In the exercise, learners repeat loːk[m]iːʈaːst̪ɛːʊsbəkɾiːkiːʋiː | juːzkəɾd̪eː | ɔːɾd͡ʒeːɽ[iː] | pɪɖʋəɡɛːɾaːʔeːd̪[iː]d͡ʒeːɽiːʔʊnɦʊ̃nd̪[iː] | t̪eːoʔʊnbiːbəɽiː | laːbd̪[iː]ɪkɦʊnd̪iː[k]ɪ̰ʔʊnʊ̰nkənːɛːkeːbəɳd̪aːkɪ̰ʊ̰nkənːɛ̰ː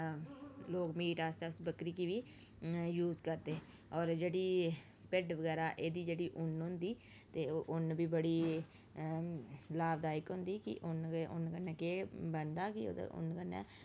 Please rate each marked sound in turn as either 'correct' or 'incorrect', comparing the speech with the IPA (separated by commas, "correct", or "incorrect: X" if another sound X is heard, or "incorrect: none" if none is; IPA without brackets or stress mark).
correct, correct, correct, correct, incorrect: aː, correct